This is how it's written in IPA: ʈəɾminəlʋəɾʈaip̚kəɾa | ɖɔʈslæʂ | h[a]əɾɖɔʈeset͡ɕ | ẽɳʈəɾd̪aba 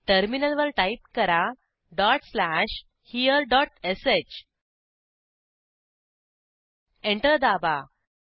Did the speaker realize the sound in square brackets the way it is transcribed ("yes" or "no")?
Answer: no